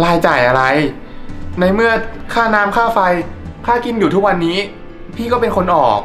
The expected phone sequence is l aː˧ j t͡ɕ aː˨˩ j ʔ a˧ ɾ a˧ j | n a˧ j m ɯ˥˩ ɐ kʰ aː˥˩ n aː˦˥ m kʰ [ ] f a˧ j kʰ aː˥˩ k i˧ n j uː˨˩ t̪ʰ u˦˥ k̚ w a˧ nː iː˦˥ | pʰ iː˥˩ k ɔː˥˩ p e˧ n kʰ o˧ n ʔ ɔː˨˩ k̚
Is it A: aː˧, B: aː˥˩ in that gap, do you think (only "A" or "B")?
B